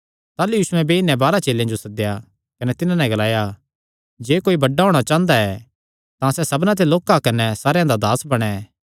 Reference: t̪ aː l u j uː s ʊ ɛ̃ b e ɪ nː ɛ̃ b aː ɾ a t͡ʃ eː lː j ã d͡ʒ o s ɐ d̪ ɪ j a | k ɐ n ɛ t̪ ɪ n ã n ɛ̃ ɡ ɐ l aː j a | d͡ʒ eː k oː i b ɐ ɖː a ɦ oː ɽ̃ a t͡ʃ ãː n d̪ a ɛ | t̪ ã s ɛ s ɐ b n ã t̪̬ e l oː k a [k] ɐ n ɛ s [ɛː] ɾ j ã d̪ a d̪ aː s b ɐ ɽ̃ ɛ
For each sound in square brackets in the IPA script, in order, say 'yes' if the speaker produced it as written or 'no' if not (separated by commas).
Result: yes, no